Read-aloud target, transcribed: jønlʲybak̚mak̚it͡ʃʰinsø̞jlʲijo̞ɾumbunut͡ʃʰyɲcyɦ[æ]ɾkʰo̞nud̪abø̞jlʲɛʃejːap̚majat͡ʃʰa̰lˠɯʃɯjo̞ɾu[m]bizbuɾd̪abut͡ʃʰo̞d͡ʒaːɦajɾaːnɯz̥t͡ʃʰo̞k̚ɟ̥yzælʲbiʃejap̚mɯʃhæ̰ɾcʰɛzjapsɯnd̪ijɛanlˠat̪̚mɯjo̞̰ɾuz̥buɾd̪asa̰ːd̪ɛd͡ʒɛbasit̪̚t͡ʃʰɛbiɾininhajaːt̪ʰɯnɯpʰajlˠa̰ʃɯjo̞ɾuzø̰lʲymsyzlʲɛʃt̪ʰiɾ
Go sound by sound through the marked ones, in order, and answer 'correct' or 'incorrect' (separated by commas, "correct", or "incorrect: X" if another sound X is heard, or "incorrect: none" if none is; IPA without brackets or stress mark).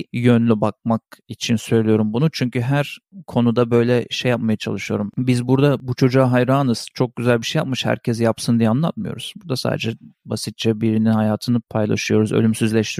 correct, correct